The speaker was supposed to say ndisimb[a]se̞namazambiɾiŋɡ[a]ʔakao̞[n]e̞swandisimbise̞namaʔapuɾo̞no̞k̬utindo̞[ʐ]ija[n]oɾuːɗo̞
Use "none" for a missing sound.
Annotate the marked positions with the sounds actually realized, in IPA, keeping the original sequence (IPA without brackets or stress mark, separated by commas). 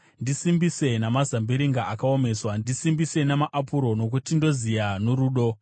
i, a, m, z, n